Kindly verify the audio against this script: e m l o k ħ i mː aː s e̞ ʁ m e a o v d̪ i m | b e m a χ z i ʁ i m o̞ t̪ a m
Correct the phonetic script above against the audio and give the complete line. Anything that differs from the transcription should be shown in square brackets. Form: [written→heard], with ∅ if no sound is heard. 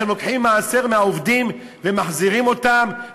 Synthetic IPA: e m l o k ħ i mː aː s e̞ ʁ m e a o v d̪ i m | [b→v] e m a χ z i ʁ i m o̞ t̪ a m